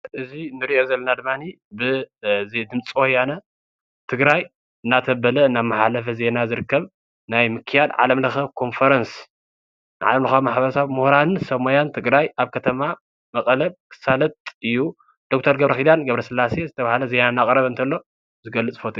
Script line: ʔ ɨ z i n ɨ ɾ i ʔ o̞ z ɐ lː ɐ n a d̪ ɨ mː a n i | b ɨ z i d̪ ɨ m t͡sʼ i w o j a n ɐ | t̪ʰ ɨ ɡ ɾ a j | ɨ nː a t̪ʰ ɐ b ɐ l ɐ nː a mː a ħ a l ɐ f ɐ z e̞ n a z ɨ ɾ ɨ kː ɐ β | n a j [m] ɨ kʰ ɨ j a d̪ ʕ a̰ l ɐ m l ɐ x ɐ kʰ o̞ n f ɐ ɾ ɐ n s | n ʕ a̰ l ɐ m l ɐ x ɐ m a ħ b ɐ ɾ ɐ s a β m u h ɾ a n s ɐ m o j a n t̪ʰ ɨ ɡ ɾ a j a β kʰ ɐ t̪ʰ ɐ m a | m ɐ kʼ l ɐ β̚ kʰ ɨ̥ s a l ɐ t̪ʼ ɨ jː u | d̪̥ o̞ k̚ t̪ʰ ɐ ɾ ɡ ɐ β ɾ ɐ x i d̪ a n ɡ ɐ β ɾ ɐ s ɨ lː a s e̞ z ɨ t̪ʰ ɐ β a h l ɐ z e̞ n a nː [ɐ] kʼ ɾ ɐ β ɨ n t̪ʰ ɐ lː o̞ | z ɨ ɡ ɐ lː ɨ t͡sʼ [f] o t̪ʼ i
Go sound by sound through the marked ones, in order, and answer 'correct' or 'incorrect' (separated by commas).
correct, incorrect, correct